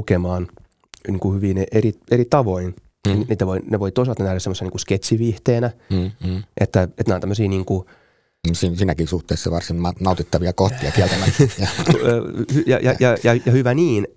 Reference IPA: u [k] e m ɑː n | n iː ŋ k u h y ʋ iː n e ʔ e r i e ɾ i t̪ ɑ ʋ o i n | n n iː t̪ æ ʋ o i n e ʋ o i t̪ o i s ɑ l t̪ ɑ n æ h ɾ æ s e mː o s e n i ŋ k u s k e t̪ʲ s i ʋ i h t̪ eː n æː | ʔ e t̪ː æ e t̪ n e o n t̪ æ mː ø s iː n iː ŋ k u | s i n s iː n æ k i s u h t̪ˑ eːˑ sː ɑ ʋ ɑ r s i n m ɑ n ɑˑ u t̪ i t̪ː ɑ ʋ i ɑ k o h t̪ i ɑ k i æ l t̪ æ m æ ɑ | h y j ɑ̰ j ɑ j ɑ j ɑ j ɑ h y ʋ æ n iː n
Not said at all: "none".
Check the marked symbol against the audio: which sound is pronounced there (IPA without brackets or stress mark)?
k